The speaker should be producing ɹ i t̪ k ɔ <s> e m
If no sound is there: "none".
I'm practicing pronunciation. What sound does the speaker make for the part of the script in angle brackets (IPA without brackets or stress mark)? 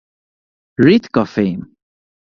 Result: f